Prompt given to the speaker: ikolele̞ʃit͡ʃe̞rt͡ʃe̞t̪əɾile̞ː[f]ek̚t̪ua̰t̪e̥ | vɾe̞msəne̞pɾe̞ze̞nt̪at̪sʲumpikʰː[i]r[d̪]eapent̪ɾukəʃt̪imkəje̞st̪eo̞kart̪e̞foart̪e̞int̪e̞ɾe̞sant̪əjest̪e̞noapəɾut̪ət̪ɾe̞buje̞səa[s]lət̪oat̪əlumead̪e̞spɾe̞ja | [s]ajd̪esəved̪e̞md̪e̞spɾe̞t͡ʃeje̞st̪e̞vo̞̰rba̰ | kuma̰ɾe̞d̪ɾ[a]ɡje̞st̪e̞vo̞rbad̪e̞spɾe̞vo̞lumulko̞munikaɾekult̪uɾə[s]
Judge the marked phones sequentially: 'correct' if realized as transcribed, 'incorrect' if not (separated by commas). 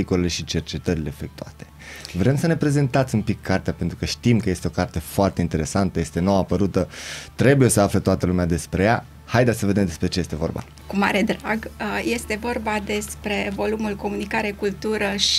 correct, incorrect, incorrect, incorrect, incorrect, correct, incorrect